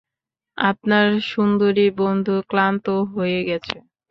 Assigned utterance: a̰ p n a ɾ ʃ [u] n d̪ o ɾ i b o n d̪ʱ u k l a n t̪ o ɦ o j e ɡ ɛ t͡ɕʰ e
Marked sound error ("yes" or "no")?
no